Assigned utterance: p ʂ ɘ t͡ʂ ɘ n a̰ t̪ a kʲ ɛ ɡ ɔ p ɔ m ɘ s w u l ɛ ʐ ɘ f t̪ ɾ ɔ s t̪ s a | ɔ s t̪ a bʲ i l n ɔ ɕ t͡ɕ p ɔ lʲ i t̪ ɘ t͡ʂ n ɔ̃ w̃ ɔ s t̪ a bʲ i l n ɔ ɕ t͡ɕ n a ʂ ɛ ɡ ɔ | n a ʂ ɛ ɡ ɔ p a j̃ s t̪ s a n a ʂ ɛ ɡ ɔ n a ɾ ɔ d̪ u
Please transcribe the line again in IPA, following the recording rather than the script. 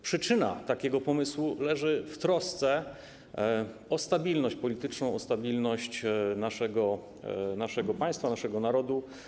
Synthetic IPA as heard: p ʂ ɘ t͡ʂ ɘ n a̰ t̪ a kʲ ɛ ɡ ɔ p ɔ m ɘ s w u l ɛ ʐ ɘ f t̪ ɾ ɔ s t̪ s ɛ | ɔ s t̪ a bʲ i l n ɔ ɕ t͡ɕ p ɔ lʲ i t̪ ɘ t͡ʂ n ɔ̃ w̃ ɔ s t̪ a bʲ i l n ɔ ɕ t͡ɕ n a ʂ ɛ ɡ ɔ | n a ʂ ɛ ɡ ɔ p a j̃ s t̪ f a n a ʂ ɛ ɡ ɔ n a ɾ ɔ d̪ u